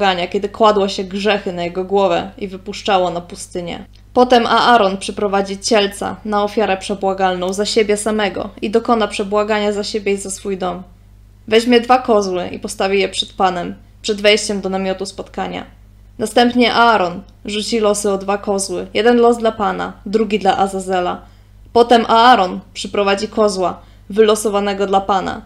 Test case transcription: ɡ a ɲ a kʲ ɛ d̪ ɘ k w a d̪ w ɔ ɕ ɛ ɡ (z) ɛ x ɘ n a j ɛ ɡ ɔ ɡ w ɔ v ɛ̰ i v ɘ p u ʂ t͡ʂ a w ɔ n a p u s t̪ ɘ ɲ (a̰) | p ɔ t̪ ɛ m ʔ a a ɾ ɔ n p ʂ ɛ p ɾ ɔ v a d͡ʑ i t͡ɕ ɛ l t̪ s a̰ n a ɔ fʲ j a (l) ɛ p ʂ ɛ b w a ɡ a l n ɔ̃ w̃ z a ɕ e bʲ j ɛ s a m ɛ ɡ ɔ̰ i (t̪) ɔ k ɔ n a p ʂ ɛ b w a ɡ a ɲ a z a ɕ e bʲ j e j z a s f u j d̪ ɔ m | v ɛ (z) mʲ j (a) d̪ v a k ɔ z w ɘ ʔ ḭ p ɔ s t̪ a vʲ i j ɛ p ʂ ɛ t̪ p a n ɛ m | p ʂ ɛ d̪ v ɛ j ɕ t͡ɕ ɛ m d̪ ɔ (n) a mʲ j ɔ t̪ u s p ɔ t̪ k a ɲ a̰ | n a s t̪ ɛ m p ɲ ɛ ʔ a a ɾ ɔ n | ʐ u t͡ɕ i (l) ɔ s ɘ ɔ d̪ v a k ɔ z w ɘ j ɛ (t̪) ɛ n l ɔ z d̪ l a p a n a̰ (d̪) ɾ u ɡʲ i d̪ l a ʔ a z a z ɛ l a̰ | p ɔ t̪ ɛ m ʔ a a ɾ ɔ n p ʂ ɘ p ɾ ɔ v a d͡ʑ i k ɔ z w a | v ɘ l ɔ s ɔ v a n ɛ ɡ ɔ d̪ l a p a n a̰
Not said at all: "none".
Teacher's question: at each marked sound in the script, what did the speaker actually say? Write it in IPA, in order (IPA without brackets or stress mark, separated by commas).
ʐ, ɛ̰, ɾ, d̪, ʑ, ɛ, n, l, d̪, d̪